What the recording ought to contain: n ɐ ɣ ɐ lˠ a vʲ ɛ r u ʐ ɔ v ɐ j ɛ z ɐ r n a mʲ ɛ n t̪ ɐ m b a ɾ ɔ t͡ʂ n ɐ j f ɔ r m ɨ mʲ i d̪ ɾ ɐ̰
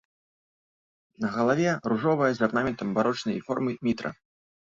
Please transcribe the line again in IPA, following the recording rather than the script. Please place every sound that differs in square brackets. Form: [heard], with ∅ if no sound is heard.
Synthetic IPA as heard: n ɐ ɣ ɐ lˠ a vʲ ɛ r u ʐ ɔ v ɐ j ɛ z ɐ r n a mʲ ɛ n t̪ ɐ m b a ɾ ɔ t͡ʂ n ɐ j f ɔ r m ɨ mʲ i [t̪] ɾ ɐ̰